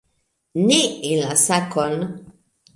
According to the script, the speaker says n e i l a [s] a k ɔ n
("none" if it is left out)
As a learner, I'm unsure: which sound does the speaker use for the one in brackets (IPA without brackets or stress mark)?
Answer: s